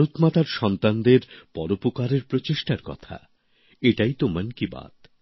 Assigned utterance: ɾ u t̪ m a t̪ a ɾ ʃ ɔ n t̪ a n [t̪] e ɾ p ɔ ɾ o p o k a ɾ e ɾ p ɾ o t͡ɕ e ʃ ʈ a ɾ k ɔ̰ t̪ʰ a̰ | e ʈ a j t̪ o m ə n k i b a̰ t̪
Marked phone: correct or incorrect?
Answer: incorrect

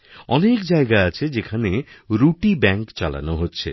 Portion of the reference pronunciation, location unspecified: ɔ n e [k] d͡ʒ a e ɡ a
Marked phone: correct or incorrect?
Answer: correct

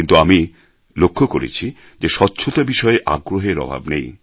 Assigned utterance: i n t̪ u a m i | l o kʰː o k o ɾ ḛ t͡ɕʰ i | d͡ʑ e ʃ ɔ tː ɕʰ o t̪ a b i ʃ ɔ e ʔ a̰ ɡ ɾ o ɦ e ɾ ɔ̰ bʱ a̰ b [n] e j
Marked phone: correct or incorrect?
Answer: correct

